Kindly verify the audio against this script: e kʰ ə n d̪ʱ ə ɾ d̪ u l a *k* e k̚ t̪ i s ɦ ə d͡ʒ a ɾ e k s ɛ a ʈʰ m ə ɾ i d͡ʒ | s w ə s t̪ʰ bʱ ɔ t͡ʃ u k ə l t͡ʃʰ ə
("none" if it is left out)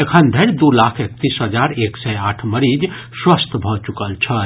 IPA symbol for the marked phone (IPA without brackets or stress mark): kʰ